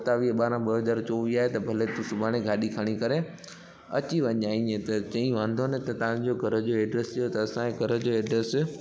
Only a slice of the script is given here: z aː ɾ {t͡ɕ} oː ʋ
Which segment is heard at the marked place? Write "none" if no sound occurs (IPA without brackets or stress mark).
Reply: t͡ɕ